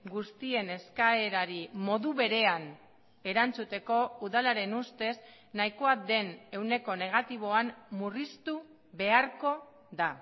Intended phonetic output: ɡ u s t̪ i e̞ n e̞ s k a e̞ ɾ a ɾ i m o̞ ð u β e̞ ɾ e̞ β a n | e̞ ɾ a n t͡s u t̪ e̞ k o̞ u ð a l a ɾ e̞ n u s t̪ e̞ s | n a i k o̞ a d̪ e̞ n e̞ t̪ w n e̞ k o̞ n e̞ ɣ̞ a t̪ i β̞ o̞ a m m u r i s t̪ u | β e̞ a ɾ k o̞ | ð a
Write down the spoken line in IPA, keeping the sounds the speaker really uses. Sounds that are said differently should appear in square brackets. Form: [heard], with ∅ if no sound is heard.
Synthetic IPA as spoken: ɡ u s t̪ i e̞ n e̞ s k a e̞ ɾ a ɾ i m o̞ ð u β e̞ ɾ e̞ [∅] a n | e̞ ɾ a n t͡s u t̪ e̞ k o̞ u ð a l a ɾ e̞ n u s t̪ e̞ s | n a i k o̞ a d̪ e̞ n e̞ [∅] w n e̞ k o̞ n e̞ ɣ̞ a t̪ i β̞ o̞ a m m u r i s t̪ u | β e̞ a ɾ k o̞ | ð a